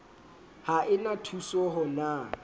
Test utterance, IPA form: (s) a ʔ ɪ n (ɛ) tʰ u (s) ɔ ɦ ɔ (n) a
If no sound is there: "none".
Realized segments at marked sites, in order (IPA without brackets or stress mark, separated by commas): h, a, s, n